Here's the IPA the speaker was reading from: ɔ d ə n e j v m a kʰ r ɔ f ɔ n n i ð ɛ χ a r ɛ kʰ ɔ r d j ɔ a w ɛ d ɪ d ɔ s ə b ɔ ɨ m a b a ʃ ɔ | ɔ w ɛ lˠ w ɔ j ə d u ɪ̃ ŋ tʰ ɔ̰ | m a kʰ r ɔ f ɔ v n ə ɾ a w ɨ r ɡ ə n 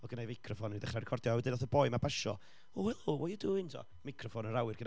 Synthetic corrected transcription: ɔ ɡ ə n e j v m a kʰ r ɔ f ɔ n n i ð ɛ χ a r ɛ kʰ ɔ r d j ɔ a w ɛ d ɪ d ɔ θ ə b ɔ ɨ m a b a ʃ ɔ | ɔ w ɛ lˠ w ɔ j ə d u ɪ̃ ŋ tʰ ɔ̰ | m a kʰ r ɔ f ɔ n ə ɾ a w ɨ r ɡ ə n